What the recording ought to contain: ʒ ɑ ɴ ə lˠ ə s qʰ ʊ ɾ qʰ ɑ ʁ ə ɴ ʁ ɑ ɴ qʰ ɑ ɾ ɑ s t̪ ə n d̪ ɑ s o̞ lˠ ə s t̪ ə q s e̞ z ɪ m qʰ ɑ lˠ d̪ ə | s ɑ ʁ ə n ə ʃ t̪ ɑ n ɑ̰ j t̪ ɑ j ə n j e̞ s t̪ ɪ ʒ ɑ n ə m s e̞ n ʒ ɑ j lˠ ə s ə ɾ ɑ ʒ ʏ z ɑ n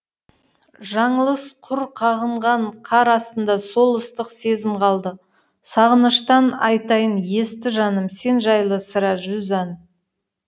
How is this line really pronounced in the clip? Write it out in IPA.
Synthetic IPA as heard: ʒ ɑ ɴ ə lˠ ə s qʰ ʊ ɾ qʰ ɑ ʁ ə ɴ ʁ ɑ ɴ qʰ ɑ ɾ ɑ s t̪ ə n d̪ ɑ s o̞ lˠ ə s t̪ ə q s e̞ z ɪ m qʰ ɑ lˠ d̪ ə | s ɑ ʁ ə n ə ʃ t̪ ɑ n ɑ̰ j t̪ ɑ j ə n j e̞ s t̪ ɪ ʒ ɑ n ə m s e̞ n ʒ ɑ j lˠ ə s ə ɾ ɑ ʒ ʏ z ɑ n